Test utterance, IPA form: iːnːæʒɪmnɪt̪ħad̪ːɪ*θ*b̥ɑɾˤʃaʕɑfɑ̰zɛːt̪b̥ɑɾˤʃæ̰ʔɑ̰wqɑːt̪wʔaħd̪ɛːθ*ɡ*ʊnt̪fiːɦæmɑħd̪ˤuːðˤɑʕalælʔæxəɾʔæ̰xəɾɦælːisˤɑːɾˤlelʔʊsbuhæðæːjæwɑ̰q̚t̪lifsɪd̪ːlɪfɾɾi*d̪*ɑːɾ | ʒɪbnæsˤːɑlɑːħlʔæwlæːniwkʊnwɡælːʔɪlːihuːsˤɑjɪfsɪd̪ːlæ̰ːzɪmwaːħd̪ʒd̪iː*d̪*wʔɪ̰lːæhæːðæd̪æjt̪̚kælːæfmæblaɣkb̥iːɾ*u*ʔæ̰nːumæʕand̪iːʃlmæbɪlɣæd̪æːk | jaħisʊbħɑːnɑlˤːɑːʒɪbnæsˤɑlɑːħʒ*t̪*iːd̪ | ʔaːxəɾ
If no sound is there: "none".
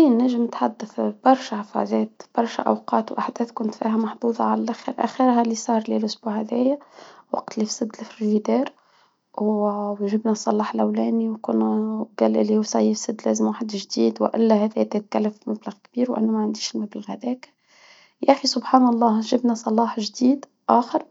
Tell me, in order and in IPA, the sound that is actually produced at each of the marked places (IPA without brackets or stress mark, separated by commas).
θ, k, d̪, d̪, w, d̪